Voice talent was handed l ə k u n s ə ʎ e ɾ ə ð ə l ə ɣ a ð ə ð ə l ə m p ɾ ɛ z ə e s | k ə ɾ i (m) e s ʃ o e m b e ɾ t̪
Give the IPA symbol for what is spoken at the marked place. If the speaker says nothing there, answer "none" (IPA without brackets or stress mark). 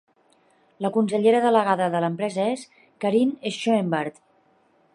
n